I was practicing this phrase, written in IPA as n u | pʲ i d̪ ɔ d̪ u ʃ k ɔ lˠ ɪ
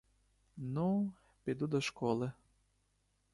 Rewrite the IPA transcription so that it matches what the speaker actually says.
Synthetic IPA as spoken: n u | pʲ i d̪ u d̪ ɔ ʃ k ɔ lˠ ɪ